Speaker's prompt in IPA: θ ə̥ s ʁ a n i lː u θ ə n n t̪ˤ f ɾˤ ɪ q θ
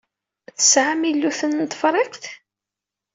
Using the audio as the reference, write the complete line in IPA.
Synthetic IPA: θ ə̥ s ʕ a m i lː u θ ə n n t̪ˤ f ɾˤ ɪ q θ